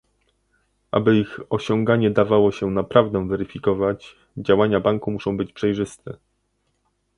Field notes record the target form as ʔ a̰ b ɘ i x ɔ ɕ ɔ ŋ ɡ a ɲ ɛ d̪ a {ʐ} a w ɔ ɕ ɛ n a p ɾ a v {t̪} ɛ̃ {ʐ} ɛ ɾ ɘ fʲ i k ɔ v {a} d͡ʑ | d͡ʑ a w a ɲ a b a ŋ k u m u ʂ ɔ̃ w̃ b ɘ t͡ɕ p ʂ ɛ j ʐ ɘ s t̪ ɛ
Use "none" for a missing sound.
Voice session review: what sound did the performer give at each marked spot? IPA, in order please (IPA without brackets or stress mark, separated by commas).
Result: v, d̪, v, a